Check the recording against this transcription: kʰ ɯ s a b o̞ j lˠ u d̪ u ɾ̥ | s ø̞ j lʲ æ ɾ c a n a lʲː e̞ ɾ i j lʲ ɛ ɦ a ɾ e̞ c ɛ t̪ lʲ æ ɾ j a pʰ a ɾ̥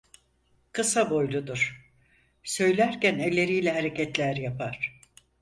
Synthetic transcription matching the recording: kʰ ɯ s a b o̞ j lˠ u d̪ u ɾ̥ | s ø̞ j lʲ æ ɾ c æ n e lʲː e̞ ɾ i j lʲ ɛ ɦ a ɾ e̞ c ɛ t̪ lʲ æ ɾ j a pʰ a ɾ̥

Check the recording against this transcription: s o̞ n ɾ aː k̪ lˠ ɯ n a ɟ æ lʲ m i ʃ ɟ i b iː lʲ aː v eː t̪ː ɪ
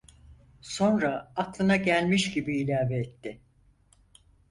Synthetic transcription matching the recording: s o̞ n ɾ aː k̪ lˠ ɯ n a ɟ æ lʲ m i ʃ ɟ i b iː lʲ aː v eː t̪ː ɪ

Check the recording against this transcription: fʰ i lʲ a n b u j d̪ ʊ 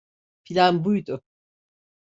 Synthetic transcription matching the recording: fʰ i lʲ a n b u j d̪ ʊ

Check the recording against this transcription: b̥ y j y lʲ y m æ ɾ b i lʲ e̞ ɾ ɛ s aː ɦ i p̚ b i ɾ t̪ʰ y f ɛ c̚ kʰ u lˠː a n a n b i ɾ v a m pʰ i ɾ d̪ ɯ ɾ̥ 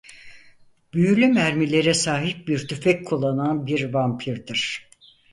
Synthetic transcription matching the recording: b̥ y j y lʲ y m æ ɾ m i lʲ e̞ ɾ ɛ s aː ɦ i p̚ b i ɾ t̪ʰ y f ɛ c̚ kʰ u lˠː a n a n b i ɾ v a m pʰ i ɾ d̪ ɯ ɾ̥

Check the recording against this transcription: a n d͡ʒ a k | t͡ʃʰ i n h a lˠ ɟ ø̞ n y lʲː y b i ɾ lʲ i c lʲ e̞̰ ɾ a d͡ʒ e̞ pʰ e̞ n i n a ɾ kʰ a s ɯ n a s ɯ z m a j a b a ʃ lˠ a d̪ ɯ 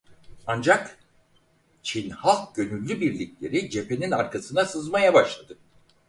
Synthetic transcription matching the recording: a n d͡ʒ a k | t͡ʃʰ i n h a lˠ ɟ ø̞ n y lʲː y b i ɾ lʲ i c lʲ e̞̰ ɾ i d͡ʒ e̞ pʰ e̞ n i n a ɾ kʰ a s ɯ n a s ɯ z m a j a b a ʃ lˠ a d̪ ɯ

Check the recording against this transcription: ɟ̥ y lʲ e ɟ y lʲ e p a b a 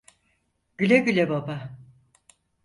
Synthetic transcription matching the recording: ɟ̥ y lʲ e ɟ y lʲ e b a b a

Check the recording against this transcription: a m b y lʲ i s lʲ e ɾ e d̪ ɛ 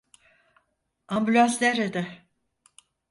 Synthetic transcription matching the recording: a m b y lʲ a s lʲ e ɾ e d̪ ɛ

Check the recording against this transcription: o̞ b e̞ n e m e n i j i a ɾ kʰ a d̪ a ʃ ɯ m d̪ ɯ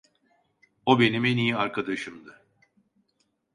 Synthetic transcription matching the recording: o̞ b e̞ n i m e n i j i a ɾ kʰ a d̪ a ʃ ɯ m d̪ ɯ

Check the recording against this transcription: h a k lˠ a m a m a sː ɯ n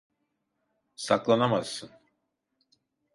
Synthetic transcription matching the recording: s a k lˠ a n a m a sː ɯ n

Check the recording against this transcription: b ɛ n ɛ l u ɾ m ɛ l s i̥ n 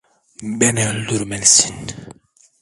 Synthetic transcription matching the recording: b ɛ n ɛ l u ɾ m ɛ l s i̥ n

